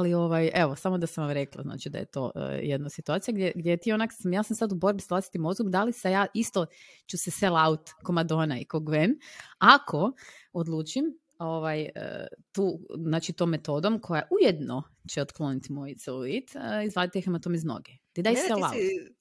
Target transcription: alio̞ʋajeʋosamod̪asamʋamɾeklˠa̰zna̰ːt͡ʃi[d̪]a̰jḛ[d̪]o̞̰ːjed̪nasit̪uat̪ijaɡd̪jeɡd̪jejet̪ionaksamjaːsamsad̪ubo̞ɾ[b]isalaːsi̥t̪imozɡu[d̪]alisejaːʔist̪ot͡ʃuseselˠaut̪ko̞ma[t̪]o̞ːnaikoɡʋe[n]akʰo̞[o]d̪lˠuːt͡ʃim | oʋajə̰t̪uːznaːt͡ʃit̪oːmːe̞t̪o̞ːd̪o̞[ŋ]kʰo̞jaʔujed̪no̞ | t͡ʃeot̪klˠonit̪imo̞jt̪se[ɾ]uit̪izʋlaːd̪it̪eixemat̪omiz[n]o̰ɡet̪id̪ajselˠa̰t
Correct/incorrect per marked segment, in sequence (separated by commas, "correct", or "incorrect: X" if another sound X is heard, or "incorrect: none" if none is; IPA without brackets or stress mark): correct, incorrect: t̪, correct, correct, incorrect: d̪, correct, correct, incorrect: m, incorrect: l, correct